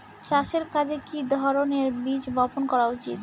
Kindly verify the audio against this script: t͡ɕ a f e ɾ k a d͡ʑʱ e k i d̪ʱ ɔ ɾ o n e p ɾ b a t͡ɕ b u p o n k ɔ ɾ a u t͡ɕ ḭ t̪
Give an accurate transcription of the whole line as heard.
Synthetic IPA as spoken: t͡ɕ a ʃ e ɾ k a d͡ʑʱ e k i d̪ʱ ɔ ɾ o n e ɾ b i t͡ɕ b ɔ p o n k ɔ ɾ a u t͡ɕ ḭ t̪